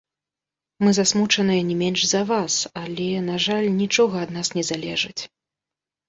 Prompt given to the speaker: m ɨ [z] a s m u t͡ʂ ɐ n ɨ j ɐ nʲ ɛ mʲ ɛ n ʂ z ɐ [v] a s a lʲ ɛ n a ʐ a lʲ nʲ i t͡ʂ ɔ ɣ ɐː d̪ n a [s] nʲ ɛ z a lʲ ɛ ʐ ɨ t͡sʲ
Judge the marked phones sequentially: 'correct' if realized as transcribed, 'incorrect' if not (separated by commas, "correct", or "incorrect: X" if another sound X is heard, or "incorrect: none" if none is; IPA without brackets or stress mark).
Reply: correct, correct, correct